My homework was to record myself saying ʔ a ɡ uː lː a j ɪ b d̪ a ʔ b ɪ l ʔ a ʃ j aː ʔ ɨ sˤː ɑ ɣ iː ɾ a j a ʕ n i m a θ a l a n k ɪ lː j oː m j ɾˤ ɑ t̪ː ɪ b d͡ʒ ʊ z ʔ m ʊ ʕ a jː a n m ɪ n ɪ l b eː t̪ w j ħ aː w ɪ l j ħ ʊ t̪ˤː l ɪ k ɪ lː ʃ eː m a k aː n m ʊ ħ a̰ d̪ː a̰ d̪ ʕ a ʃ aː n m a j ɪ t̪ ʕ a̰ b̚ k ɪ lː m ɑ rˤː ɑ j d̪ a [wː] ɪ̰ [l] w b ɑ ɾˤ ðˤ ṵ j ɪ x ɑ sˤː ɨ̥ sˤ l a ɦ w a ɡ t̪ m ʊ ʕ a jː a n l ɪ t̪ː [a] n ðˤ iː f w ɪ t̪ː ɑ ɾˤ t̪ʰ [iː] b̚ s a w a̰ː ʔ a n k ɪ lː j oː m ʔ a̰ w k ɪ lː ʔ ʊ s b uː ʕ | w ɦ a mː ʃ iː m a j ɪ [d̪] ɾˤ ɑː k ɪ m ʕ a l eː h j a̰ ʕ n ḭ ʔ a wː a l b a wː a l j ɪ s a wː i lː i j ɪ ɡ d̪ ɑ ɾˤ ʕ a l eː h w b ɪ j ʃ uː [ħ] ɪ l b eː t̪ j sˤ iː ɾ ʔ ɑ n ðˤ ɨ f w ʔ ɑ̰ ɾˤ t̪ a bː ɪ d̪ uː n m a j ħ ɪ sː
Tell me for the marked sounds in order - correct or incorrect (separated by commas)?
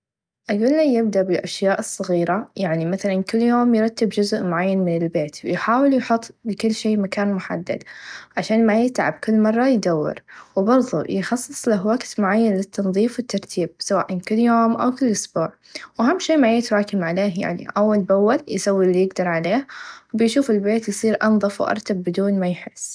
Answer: correct, incorrect, incorrect, correct, incorrect, incorrect